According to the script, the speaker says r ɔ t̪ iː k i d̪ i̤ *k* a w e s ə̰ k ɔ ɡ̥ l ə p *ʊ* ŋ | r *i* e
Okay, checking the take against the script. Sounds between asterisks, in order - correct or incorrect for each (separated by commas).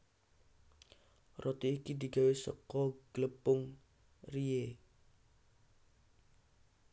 incorrect, correct, correct